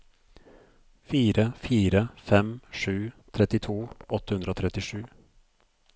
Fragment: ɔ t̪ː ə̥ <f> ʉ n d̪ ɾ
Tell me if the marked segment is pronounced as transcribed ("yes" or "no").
no